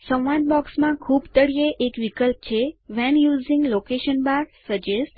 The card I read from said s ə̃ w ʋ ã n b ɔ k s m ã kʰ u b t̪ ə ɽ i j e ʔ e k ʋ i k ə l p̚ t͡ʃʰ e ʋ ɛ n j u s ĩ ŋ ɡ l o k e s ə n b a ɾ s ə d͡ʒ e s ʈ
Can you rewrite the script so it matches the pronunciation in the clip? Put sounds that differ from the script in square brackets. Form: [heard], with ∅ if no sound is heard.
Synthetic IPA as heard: s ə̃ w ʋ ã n b ɔ k s m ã kʰ u b t̪ ə ɽ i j e ʔ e k ʋ i k ə l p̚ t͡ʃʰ e ʋ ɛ n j u [z] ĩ ŋ ɡ l o k e [ʃ] ə n b a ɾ s ə d͡ʒ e s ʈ